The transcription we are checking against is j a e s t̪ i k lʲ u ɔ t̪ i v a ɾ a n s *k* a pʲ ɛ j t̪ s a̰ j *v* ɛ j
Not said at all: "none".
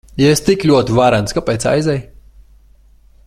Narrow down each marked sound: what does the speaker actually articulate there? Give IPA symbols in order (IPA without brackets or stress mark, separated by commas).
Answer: k, z